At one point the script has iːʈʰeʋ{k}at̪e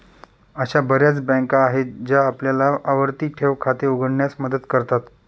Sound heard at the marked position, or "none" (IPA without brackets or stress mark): kʰ